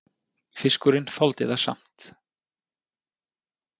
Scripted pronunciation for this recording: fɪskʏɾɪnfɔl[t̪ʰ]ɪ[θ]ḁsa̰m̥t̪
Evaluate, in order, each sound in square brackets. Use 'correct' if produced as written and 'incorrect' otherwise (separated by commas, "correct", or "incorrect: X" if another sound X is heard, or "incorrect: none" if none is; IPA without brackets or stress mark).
incorrect: t̪, incorrect: ð